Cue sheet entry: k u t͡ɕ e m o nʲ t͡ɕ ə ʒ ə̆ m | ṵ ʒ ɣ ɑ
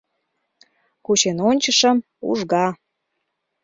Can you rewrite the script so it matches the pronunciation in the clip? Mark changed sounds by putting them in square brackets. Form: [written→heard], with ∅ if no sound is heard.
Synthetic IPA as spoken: k u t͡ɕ e [m→n] o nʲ t͡ɕ ə [ʒ→ʃ] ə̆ m | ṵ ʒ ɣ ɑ